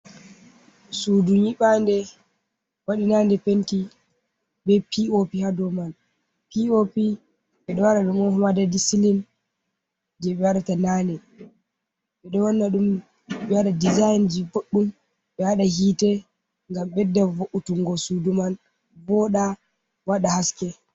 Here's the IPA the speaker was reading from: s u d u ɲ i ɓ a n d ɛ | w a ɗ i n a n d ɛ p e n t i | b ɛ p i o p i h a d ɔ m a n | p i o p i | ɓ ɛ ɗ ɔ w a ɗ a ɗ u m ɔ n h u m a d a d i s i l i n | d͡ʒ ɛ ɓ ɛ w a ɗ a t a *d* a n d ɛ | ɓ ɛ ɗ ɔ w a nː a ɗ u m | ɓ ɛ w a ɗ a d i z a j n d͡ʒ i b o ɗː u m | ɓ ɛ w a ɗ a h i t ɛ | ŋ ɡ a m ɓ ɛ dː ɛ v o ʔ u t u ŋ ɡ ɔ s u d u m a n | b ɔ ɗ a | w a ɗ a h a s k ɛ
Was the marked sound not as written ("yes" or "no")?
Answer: yes